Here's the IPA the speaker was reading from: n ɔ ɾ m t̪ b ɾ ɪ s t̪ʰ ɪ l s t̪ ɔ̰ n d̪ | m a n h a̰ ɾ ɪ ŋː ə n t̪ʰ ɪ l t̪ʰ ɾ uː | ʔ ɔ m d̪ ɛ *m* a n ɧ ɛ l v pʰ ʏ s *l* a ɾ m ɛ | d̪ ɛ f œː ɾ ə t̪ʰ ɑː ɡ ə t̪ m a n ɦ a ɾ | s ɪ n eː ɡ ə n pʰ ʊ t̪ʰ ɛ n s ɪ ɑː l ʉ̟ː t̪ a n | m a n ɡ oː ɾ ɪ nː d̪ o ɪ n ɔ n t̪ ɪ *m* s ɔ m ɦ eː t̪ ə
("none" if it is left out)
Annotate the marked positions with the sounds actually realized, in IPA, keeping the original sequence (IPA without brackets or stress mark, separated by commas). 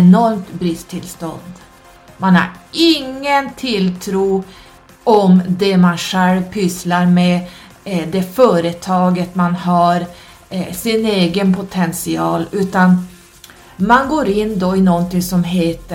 m, l, ŋ